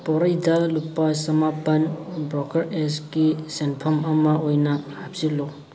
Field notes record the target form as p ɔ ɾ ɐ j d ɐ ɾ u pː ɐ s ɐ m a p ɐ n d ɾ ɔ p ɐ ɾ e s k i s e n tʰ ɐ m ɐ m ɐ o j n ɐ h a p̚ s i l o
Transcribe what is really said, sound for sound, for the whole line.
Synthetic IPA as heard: p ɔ ɾ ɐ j d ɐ l u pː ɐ s ɐ m a p ɐ n b ɾ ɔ k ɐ ɾ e s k i s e n pʰ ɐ m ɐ m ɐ o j n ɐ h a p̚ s i l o